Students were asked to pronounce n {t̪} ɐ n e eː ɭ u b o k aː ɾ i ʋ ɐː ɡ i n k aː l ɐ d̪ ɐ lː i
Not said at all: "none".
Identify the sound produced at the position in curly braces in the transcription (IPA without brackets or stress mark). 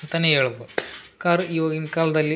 t̪